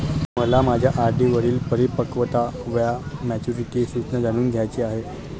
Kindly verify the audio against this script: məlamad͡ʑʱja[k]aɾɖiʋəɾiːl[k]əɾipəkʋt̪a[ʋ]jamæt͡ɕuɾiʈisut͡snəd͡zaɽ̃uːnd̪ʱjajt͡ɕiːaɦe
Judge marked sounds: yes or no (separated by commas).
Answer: no, no, yes